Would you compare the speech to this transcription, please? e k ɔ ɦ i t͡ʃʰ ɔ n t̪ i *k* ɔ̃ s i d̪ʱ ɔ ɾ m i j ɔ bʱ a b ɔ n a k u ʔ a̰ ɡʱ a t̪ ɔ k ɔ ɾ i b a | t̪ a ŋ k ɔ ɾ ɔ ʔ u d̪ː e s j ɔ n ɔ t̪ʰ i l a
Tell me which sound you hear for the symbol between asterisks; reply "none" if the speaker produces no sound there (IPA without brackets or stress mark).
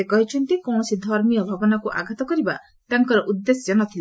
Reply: k